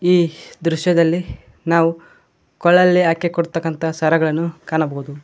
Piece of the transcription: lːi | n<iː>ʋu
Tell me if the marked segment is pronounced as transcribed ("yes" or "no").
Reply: no